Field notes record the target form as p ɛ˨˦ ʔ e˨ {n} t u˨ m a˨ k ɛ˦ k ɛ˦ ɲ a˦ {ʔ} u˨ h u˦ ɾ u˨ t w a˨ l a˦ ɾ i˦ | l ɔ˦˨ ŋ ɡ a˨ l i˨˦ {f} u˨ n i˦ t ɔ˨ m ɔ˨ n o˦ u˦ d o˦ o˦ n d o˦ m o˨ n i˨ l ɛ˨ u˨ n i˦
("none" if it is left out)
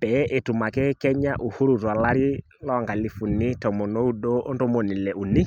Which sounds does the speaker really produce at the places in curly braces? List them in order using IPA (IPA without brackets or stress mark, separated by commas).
none, ʔ, f